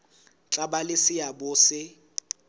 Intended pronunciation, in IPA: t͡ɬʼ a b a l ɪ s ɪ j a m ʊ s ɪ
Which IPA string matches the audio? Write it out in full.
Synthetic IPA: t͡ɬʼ a b a l ɪ s ɪ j a b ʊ s ɪ